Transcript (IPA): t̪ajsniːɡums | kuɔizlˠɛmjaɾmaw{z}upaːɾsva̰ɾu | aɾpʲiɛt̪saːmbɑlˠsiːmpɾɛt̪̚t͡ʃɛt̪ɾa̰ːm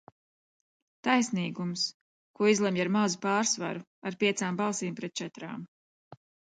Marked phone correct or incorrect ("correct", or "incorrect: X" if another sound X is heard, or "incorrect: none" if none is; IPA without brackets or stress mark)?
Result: correct